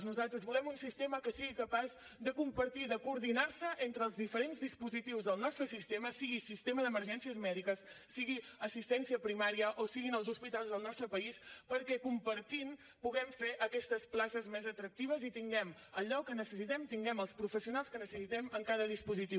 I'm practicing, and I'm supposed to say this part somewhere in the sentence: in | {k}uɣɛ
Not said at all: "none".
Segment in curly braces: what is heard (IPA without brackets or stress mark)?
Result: p